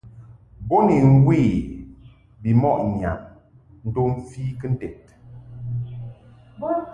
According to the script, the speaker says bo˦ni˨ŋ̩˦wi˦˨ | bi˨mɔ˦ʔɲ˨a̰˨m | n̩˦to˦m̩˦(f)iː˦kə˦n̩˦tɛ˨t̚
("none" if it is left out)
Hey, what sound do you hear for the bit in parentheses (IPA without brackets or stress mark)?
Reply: f